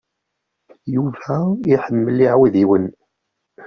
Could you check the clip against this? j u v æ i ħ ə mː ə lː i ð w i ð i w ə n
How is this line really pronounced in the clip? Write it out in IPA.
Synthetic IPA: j u v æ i ħ ə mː ə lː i ʕ w i ð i w ə n